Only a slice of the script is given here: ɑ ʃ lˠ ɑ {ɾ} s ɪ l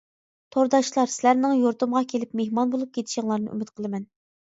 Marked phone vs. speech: correct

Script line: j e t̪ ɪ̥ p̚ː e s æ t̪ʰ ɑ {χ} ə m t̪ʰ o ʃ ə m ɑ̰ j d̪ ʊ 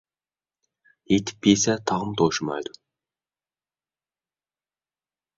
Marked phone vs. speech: incorrect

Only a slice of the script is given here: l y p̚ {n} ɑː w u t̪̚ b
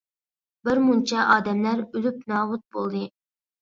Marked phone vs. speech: correct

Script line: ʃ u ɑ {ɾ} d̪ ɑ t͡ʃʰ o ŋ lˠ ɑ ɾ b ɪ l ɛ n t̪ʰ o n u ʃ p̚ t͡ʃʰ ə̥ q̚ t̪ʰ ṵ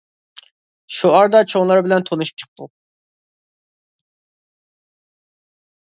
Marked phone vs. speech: correct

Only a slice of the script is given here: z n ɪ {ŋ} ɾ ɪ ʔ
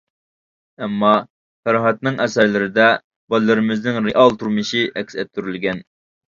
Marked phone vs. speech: correct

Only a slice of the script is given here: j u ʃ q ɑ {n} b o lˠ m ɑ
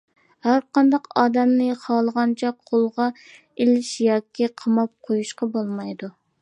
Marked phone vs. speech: incorrect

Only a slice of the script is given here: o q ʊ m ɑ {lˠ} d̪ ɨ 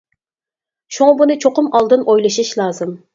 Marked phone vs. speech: correct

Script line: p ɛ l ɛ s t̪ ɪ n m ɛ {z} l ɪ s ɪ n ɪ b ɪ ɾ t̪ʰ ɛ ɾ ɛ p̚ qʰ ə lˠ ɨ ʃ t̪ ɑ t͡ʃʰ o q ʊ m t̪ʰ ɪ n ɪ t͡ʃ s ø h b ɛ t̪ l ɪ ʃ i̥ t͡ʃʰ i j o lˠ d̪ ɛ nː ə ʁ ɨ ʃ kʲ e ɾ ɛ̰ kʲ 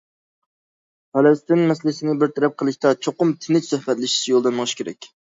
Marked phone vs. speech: incorrect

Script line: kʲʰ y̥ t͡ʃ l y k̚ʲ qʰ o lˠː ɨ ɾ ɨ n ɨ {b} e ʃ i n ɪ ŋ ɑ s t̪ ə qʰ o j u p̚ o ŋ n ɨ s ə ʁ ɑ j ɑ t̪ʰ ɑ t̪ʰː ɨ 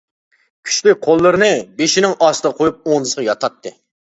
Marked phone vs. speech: correct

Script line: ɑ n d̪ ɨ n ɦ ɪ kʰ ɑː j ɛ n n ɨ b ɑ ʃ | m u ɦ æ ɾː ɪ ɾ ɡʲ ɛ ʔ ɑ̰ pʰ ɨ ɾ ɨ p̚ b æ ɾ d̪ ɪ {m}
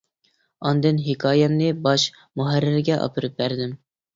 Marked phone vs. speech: correct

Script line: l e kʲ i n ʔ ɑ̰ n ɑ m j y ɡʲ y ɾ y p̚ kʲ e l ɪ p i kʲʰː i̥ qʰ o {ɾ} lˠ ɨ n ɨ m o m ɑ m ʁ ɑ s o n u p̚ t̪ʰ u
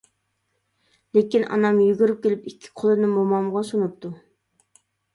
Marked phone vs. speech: incorrect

